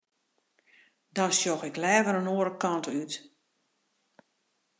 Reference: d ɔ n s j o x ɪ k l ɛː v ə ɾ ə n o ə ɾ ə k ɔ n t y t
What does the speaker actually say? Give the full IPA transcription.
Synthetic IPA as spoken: d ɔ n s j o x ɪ k l ɛː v ə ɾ ə n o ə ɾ ə k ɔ n t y t